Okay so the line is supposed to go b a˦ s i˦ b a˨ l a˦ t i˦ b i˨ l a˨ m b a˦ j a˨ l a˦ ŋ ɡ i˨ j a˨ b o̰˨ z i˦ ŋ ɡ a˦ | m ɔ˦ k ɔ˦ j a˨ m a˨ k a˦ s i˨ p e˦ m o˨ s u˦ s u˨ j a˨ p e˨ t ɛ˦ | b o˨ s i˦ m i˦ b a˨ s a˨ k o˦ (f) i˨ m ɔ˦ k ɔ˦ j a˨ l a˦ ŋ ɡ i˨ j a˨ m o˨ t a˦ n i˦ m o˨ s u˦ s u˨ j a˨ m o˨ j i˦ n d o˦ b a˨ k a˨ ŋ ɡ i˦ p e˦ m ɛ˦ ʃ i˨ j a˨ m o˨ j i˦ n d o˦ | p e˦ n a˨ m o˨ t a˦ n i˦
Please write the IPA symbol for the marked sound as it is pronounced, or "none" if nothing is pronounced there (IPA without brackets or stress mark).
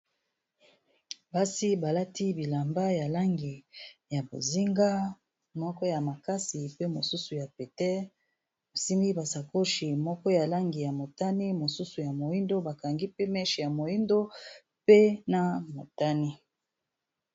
ʃ